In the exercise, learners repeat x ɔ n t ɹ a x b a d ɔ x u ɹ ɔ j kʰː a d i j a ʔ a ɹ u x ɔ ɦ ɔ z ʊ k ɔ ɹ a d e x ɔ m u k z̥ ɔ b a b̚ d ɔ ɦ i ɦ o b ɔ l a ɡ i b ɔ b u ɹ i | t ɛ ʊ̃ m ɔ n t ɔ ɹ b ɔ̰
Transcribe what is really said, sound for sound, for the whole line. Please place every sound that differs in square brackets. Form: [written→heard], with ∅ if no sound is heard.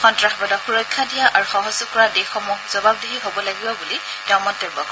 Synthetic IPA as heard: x ɔ n t ɹ a x b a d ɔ x u ɹ ɔ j kʰː a d i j a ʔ a ɹ u x ɔ ɦ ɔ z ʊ k ɔ ɹ a d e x ɔ m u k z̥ ɔ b a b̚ d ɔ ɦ i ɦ o b ɔ l a ɡ i b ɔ b u [ɹ→l] i | t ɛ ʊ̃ m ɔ n t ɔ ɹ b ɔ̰

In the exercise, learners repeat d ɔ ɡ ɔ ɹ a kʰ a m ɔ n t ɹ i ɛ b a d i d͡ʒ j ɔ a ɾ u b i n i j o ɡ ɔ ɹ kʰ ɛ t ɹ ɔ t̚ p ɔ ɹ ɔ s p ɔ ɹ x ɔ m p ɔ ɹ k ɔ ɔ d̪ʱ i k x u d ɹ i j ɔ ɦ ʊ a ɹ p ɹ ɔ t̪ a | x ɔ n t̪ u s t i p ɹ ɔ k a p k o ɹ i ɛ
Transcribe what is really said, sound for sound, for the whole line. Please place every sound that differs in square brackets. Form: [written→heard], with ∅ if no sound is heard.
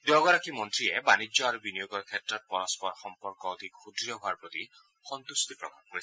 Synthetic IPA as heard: d ɔ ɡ ɔ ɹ a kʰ [a→i] m ɔ n t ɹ i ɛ b a [d→n] i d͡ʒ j ɔ a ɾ u b i n i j o ɡ ɔ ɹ kʰ ɛ t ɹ ɔ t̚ p ɔ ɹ ɔ s p ɔ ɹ x ɔ m p ɔ ɹ k ɔ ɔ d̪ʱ i k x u d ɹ i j ɔ ɦ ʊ a ɹ p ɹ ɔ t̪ [a→i] | x ɔ n t̪ u s t i p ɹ ɔ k a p k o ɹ i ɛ

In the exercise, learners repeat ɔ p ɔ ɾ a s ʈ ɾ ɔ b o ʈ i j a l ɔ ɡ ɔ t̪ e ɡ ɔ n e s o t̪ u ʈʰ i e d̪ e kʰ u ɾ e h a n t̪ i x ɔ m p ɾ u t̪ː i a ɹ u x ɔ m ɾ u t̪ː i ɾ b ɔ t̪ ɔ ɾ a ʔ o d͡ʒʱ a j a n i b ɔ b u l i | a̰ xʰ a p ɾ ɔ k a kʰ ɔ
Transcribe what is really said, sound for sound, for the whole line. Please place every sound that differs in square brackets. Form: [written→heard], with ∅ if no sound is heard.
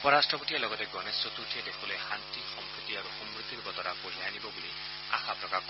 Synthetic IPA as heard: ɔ p ɔ ɾ a s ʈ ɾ ɔ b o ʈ i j a l ɔ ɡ ɔ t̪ e ɡ ɔ n e s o t̪ u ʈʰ i e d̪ e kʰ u [ɾ→l] e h a n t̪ i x ɔ m p ɾ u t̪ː i a [ɹ→ɾ] u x ɔ m ɾ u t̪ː i ɾ b ɔ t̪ ɔ ɾ a [ʔ→p] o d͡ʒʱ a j a n i b ɔ b u l i | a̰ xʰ a p ɾ ɔ k a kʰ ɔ

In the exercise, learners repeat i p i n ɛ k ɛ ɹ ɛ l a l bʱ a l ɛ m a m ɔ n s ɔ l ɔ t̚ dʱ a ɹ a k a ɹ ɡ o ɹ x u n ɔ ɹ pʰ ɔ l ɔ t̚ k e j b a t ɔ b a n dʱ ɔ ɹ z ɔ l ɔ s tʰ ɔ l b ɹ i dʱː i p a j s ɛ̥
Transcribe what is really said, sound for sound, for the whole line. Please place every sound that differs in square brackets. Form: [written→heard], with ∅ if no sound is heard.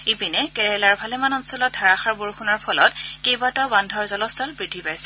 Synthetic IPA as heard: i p i n ɛ k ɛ ɹ ɛ l a [l→ɹ] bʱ a l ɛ m a [m→n] ɔ n s ɔ l ɔ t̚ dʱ a ɹ a [k→x] a ɹ [ɡ→b] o ɹ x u n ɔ ɹ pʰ ɔ l ɔ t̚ k e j b a t ɔ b a n dʱ ɔ ɹ z ɔ l ɔ s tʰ ɔ l b ɹ i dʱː i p a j s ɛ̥

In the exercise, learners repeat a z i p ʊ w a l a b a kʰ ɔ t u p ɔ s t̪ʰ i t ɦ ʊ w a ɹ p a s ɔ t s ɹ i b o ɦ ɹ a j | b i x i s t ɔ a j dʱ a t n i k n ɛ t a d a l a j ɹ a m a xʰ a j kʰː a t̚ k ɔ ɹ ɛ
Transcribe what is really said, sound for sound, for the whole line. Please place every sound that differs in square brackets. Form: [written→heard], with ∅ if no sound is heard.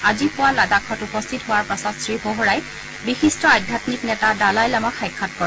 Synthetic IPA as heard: a z i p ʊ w a l a [b→d] a kʰ ɔ t u p ɔ s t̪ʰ i t ɦ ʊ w a ɹ p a s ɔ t s ɹ i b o ɦ ɹ a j | b i x i s t ɔ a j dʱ a t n i k n ɛ t a d a l a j [ɹ→l] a m a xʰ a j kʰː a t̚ k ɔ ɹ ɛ

